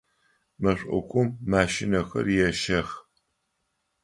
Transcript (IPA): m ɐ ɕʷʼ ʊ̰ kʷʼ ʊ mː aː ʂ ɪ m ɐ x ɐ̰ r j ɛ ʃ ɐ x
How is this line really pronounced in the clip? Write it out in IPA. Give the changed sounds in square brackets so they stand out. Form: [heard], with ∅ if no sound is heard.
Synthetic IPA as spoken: m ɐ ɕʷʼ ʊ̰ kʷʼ ʊ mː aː [ʃ] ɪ [n] ɐ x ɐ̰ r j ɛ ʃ ɐ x